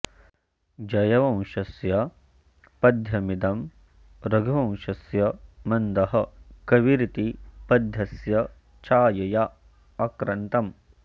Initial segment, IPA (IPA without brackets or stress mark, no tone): d͡ʒ